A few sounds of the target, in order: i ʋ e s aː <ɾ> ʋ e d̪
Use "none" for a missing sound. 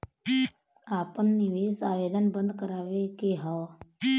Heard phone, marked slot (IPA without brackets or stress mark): none